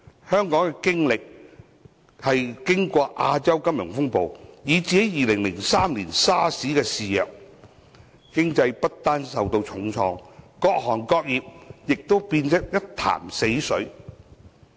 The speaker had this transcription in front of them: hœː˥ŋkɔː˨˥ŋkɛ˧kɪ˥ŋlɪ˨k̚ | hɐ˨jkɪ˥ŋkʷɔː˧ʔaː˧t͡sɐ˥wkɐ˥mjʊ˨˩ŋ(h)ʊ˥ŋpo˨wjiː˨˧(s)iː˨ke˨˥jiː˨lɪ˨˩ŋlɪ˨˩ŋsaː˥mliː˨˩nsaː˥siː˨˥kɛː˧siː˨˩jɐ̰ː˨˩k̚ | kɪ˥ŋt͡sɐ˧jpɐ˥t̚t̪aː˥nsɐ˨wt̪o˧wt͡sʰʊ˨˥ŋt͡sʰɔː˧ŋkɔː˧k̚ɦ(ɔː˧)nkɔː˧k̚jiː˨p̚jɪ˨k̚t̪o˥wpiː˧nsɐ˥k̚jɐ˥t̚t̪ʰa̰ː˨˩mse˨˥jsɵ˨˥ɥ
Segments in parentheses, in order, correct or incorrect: incorrect: f, incorrect: t͡s, incorrect: ɔː˨˩

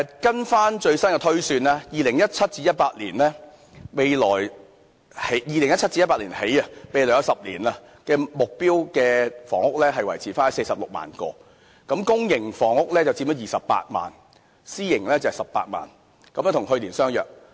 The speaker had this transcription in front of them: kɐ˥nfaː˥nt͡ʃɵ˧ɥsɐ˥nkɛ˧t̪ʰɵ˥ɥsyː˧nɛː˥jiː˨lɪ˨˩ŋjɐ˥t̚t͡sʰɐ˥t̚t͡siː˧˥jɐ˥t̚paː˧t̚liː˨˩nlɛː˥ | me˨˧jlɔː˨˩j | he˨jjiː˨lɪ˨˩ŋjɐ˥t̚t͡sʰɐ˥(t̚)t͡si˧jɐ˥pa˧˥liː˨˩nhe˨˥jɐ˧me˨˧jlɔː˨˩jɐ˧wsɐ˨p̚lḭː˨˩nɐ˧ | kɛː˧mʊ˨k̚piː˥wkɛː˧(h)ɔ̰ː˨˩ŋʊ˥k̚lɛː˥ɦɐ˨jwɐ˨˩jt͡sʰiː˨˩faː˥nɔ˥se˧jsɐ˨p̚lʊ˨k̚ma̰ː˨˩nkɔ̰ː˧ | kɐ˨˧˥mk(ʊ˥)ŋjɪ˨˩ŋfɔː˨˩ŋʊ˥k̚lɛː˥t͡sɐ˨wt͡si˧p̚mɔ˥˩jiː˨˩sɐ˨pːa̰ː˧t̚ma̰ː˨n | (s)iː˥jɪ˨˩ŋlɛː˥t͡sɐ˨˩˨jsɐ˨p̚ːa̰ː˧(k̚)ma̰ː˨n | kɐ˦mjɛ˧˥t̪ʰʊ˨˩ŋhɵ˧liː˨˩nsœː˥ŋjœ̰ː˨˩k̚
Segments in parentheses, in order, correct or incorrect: correct, incorrect: f, correct, correct, incorrect: t̚

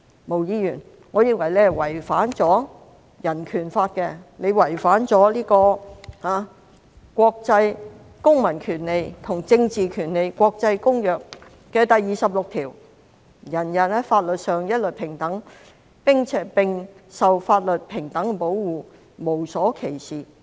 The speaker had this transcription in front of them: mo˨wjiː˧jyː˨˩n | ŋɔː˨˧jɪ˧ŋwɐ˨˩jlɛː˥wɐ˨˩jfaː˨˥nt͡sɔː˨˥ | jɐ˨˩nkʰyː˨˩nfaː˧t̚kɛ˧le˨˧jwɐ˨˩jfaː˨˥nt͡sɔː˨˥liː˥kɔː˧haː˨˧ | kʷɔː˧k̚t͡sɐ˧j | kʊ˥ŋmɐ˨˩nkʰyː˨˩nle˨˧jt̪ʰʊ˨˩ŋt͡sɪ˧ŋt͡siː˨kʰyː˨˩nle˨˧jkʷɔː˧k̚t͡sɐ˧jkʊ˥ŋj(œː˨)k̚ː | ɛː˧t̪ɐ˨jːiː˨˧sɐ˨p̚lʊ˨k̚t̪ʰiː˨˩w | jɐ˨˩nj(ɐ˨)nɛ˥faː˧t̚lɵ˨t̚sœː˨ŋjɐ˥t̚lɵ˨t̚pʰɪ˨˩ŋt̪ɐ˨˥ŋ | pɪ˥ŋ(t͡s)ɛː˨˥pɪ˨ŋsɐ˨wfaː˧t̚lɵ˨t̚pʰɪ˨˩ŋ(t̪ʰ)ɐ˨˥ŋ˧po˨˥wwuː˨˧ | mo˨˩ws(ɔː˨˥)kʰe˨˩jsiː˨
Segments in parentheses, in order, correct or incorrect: correct, correct, incorrect: t͡sʰ, incorrect: t̪, correct

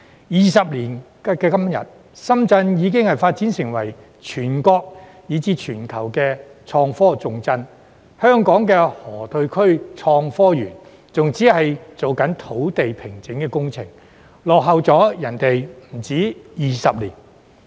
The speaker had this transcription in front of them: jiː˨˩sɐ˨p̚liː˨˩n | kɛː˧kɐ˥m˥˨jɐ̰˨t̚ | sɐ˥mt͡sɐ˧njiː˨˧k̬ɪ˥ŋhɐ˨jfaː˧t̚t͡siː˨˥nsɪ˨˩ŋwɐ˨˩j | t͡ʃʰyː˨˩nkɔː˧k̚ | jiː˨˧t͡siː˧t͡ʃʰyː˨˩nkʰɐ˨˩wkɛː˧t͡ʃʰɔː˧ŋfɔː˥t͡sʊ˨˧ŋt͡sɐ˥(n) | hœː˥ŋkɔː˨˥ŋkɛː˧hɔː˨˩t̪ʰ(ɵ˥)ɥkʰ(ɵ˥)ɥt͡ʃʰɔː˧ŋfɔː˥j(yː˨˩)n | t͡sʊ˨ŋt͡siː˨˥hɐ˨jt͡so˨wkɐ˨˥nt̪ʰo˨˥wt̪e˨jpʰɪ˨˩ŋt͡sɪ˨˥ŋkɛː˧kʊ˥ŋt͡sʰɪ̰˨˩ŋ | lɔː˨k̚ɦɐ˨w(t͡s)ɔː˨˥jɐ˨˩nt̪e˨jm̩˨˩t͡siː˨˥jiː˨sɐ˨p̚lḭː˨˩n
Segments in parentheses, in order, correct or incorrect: correct, incorrect: ɵ˧, correct, correct, correct

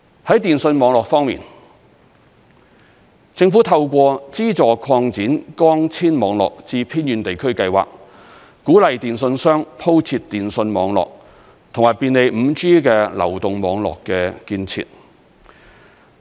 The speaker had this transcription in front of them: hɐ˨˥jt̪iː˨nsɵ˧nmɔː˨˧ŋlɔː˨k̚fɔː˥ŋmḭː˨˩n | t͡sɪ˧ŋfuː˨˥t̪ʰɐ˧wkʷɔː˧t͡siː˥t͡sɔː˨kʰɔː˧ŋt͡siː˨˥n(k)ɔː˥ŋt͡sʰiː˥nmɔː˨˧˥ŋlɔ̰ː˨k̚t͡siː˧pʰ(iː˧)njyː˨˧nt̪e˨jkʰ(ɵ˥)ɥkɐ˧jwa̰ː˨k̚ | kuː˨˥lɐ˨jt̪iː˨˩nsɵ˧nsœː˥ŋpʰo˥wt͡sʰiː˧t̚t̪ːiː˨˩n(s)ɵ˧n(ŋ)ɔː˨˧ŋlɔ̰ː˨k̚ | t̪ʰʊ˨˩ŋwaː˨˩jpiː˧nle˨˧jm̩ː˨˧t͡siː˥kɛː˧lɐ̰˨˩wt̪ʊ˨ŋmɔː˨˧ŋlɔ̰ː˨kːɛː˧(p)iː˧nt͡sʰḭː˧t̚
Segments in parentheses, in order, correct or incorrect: correct, incorrect: iː˥, correct, correct, incorrect: m, incorrect: k

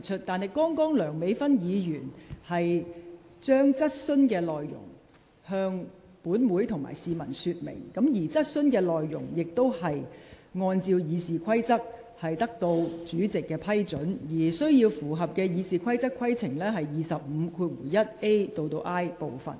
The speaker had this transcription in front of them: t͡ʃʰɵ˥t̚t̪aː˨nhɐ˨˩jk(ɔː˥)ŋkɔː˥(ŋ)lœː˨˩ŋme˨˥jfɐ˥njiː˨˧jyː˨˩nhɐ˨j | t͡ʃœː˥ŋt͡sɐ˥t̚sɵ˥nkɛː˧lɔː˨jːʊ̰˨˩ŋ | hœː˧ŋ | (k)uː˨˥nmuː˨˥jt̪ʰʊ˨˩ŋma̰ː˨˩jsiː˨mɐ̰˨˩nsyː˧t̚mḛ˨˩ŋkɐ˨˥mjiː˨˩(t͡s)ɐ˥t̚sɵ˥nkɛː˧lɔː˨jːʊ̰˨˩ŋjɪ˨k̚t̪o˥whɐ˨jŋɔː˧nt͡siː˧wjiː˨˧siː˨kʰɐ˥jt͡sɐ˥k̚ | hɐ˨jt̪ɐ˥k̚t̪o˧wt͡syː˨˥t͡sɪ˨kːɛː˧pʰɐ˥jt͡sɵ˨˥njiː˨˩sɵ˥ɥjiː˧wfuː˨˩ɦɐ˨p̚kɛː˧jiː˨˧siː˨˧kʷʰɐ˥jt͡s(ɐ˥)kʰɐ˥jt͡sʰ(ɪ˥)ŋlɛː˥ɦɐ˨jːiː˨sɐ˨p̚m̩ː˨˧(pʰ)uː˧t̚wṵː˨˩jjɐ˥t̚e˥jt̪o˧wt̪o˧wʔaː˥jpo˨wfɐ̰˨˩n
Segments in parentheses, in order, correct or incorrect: correct, correct, incorrect: p, correct, correct, incorrect: ɪ˨˩, incorrect: kʰ

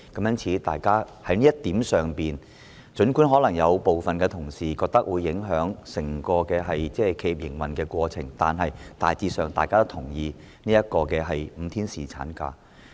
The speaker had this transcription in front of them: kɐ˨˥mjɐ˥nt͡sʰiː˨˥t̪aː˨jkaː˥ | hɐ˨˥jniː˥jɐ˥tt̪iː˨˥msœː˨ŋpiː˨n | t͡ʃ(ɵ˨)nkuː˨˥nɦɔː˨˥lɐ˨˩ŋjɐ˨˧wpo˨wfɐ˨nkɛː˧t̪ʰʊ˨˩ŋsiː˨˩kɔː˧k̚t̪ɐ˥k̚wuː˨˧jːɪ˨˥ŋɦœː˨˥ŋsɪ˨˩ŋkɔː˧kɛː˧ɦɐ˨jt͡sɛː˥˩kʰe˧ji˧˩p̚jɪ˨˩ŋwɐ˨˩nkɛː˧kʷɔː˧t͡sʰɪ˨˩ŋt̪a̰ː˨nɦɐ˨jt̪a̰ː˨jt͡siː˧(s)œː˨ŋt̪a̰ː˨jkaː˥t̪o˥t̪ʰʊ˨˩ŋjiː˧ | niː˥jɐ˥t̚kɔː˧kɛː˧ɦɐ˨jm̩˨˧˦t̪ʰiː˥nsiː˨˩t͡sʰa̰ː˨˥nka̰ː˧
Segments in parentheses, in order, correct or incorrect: incorrect: ɵ˨˥, correct

